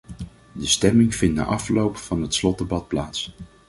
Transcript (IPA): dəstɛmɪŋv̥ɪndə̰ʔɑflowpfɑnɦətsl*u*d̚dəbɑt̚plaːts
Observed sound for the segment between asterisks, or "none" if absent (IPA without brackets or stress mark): ɔ